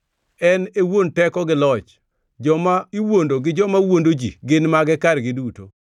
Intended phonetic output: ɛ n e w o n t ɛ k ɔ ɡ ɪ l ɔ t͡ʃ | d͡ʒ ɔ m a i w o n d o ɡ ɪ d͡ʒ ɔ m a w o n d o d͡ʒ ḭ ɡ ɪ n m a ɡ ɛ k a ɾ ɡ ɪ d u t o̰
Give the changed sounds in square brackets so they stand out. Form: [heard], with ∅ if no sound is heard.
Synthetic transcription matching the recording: ɛ n e w o n t ɛ k ɔ ɡ ɪ l ɔ t͡ʃ | d͡ʒ ɔ m a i w o n d o ɡ ɪ d͡ʒ ɔ m a w o n d o d͡ʒ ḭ ɡ ɪ n m a ɡ ɛ k a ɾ ɡ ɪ d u t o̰